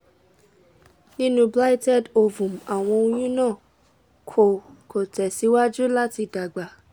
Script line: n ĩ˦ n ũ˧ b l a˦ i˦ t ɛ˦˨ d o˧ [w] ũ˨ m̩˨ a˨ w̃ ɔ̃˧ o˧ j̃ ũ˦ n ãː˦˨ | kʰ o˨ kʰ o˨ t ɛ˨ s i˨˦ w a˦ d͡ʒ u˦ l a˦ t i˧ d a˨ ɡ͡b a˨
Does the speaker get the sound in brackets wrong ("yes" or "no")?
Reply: yes